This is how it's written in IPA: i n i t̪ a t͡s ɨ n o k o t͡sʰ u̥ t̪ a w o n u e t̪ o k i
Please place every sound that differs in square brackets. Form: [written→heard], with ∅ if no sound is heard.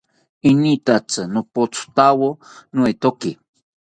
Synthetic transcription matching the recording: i n i t̪ a t͡s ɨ n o [k→p] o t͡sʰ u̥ t̪ a w o n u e t̪ o k i

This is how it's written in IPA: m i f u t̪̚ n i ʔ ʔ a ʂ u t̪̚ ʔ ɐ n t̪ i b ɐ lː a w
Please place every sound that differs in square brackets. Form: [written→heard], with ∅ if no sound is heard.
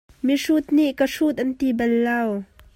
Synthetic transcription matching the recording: m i [f→ʂ] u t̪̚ n i ʔ [ʔ→k] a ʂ u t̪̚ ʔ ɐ n t̪ i b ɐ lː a w

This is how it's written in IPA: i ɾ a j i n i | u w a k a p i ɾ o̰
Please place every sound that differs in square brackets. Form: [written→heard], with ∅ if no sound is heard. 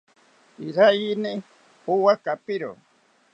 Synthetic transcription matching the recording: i ɾ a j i n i | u w a k a p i ɾ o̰

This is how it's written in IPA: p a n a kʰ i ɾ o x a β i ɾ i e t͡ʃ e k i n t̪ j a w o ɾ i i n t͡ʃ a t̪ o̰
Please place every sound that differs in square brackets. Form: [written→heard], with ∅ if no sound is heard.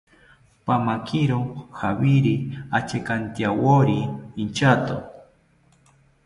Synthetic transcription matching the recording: p a [n→m] a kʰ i ɾ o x a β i ɾ i [e→a] t͡ʃ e k [i→a] n t̪ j a w o ɾ i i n t͡ʃ a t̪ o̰

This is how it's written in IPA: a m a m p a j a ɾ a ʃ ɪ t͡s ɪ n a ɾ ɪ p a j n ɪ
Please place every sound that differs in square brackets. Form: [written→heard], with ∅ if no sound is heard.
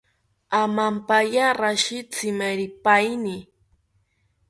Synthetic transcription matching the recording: a m a m p a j a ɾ a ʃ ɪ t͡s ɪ [n→m] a ɾ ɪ p a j n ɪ

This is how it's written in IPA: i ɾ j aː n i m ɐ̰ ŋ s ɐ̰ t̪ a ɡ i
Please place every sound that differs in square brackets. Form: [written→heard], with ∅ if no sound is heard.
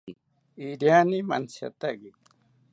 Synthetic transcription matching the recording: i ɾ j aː n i m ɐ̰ [ŋ→n] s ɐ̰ t̪ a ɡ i

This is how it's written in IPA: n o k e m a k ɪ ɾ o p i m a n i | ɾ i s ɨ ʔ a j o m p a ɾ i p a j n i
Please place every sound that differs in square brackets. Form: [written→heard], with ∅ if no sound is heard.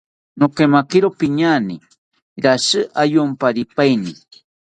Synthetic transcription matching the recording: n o k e m a k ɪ ɾ o p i [m→ɲ] a n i | ɾ [i→a] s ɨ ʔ a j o m p a ɾ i p a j n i

